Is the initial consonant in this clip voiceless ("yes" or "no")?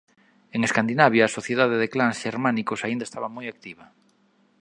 no